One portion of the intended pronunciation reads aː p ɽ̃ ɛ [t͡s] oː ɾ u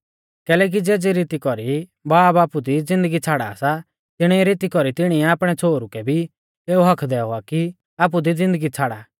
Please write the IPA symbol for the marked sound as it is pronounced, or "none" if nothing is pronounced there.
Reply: t͡sʰ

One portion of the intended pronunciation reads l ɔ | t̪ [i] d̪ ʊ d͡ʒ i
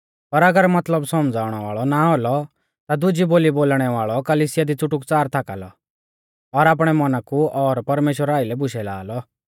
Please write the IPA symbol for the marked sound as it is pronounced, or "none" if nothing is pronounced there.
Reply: a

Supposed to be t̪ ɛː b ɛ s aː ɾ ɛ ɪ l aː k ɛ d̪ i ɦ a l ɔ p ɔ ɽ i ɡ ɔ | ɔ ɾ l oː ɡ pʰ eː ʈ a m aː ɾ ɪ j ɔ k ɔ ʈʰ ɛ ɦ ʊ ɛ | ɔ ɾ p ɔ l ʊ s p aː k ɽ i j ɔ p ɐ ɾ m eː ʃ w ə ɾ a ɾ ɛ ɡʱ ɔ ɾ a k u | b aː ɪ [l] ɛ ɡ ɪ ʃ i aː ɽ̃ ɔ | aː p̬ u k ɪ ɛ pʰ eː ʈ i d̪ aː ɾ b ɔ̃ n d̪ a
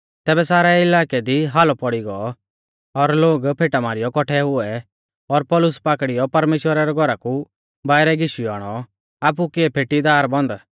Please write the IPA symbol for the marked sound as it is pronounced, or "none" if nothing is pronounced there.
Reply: ɾ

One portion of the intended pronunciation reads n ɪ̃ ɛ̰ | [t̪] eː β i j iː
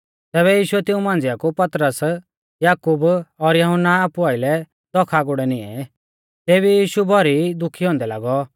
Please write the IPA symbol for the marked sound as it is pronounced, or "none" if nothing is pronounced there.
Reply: t̪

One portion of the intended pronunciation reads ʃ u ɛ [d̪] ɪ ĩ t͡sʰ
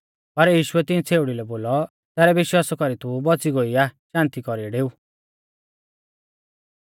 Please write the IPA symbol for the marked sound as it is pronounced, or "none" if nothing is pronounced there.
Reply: t̪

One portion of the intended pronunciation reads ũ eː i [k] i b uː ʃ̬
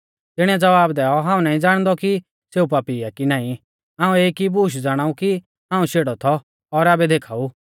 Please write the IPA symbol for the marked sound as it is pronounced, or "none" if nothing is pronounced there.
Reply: k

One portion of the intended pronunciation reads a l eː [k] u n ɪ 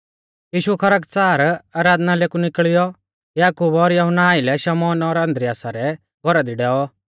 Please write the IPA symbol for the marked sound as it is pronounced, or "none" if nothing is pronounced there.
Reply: k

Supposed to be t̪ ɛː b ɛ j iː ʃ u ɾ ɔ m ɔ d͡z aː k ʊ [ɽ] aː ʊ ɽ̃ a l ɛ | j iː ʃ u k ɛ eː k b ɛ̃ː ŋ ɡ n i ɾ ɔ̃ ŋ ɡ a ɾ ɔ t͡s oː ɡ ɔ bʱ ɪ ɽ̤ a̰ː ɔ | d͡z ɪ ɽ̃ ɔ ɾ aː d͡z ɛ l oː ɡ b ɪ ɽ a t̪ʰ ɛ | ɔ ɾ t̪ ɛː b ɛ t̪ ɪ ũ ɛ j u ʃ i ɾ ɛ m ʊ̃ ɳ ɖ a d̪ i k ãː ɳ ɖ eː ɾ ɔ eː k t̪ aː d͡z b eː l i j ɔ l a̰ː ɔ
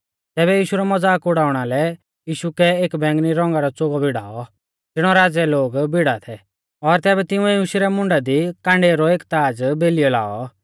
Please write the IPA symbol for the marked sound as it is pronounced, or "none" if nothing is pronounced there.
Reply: ɽ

